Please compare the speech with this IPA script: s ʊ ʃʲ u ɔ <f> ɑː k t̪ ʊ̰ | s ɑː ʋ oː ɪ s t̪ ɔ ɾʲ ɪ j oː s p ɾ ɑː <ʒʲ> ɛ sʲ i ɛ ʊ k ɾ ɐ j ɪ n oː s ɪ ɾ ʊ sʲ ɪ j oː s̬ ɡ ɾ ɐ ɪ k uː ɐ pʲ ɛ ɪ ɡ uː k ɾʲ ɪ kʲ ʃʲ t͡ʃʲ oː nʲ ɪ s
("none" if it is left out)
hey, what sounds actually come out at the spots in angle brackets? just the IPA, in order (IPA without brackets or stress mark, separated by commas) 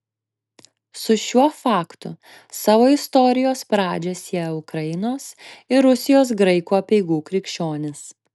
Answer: f, d͡ʒʲ